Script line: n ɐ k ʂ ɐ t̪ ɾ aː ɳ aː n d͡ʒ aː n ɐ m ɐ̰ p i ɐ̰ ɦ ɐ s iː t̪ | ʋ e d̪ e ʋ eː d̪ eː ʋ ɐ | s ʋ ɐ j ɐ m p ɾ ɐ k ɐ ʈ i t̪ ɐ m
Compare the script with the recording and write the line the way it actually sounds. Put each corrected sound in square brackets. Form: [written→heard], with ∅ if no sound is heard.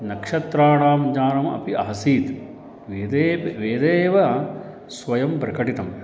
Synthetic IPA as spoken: n ɐ k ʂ ɐ t̪ ɾ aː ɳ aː [n→m] d͡ʒ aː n ɐ m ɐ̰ p i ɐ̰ ɦ ɐ s iː t̪ | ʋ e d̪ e ʋ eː d̪ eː ʋ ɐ | s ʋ ɐ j ɐ m p ɾ ɐ k ɐ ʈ i t̪ ɐ m